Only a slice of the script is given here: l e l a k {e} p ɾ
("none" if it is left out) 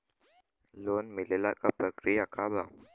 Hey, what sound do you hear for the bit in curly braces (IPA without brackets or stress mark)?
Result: a